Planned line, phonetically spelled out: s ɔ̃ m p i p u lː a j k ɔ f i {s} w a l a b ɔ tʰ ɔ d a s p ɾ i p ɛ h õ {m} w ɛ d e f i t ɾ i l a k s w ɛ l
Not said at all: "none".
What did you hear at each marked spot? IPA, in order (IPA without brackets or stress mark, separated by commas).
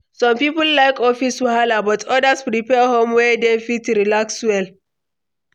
s, m